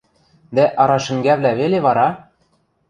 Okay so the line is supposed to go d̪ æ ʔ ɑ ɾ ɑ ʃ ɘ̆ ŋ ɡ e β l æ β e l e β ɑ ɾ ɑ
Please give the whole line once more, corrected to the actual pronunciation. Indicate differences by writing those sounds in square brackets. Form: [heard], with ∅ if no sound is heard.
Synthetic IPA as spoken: d̪ æ ʔ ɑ ɾ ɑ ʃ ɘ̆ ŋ ɡ [æ] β l æ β e l e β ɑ ɾ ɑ